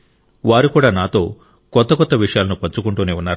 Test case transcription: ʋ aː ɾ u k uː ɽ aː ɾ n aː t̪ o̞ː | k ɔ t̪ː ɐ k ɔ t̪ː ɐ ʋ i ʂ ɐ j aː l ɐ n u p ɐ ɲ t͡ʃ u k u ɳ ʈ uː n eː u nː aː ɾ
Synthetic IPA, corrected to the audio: ʋ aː ɾ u k uː ɽ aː n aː t̪ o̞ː | k ɔ t̪ː ɐ k ɔ t̪ː ɐ ʋ i ʂ ɐ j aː l ɐ n u p ɐ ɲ t͡ʃ u k u ɳ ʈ uː n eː u nː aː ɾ